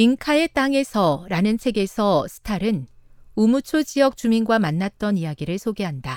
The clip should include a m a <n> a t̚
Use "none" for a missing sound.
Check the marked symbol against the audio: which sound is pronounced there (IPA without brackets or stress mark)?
nː